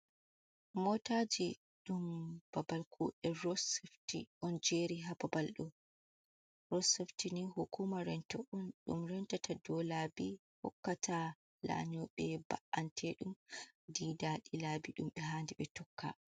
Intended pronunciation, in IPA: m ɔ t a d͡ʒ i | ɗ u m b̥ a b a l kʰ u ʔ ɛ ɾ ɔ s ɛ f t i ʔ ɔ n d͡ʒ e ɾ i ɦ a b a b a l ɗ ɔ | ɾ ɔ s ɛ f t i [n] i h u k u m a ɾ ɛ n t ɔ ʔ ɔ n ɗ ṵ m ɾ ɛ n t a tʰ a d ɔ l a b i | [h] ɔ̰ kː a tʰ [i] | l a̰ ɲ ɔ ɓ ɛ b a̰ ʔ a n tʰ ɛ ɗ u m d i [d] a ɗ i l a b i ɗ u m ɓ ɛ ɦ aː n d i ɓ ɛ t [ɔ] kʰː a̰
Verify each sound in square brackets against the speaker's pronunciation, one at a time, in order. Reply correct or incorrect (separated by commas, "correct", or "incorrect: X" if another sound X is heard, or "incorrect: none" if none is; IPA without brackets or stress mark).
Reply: correct, correct, incorrect: a, correct, correct